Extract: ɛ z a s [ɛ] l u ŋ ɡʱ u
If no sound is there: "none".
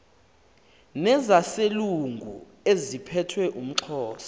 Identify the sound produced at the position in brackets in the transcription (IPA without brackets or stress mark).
e